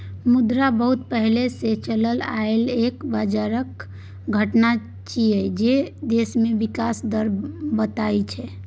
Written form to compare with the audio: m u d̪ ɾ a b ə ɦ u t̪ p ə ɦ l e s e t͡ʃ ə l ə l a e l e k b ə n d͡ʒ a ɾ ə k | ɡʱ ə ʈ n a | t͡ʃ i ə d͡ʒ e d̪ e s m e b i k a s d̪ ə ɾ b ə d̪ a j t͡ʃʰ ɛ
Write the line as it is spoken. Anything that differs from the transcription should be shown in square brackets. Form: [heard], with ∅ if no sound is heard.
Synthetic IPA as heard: m u d̪ ɾ a b ə ɦ u t̪ p ə ɦ l e s e t͡ʃ ə l ə l a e l e k b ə [∅] d͡ʒ a ɾ ə k | ɡʱ ə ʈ n a | t͡ʃ i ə d͡ʒ e d̪ e s m e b i k a s d̪ ə ɾ b ə [t̪] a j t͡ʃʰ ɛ